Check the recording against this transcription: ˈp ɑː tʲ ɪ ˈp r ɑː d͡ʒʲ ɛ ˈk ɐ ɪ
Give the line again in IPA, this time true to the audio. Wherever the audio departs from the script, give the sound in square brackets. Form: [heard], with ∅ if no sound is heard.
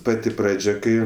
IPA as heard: ˈp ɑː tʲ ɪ ˈp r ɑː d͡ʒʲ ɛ ˈk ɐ ɪ